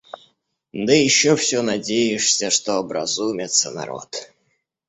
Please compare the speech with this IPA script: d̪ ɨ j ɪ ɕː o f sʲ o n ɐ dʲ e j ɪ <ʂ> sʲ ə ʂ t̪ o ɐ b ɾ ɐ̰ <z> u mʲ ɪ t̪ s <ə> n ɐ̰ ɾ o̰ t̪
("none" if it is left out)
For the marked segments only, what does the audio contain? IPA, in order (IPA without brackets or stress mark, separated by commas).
ʂ, z, ə